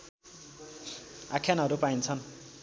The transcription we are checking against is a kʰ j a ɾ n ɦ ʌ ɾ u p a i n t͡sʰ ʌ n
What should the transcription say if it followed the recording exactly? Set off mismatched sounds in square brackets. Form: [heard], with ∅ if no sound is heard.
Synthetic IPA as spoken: a kʰ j a [∅] n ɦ ʌ ɾ u p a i n t͡sʰ ʌ n